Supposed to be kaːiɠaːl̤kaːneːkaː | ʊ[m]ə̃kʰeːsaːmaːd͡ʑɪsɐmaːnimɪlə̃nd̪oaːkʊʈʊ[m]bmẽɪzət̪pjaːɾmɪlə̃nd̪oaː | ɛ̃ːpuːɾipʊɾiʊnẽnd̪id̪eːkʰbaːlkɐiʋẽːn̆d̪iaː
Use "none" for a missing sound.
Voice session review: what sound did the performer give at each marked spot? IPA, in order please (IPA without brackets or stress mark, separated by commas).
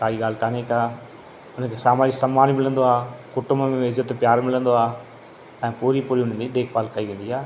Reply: n, m